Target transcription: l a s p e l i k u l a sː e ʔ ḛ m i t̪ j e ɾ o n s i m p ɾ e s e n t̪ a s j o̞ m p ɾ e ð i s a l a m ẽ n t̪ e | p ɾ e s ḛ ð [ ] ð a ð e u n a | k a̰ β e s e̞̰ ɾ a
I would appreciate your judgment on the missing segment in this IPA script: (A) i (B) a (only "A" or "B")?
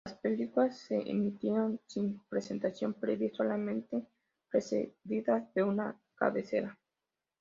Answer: A